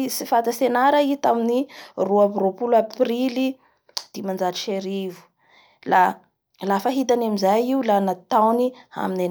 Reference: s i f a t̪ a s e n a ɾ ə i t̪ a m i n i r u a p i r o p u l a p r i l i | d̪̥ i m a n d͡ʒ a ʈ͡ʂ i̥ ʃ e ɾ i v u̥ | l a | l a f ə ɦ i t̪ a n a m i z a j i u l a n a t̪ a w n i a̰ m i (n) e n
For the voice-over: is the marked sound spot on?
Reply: yes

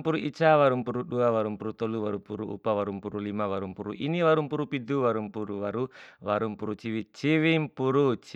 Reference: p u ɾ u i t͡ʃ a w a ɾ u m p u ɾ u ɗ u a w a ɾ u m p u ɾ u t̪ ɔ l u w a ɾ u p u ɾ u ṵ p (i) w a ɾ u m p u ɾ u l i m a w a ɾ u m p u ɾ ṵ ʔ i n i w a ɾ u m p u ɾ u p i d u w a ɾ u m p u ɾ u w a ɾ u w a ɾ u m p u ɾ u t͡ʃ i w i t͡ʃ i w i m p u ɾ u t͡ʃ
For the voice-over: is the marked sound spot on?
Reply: no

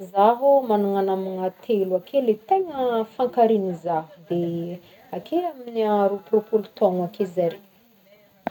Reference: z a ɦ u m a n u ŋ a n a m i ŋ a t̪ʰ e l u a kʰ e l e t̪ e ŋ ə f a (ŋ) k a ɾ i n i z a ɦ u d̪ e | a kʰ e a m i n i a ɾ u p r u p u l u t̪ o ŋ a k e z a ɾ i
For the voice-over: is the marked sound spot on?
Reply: yes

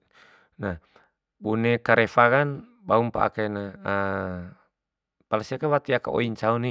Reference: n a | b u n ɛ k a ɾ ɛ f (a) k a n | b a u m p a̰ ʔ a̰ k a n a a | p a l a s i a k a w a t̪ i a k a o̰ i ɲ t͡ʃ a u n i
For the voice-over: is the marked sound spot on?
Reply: yes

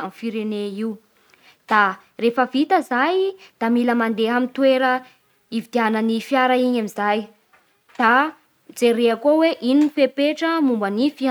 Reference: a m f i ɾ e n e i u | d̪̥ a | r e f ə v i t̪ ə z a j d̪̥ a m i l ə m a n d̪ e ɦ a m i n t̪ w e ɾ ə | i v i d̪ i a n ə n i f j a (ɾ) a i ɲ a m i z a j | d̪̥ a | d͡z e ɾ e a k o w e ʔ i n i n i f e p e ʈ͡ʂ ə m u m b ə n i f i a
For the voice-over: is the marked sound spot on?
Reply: yes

